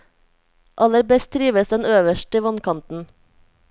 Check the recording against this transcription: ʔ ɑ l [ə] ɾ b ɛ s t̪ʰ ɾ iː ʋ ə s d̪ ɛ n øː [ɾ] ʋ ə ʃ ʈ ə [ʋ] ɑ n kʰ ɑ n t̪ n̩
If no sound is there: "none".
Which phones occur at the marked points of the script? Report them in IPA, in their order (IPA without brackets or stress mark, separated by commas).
ə, none, ʋ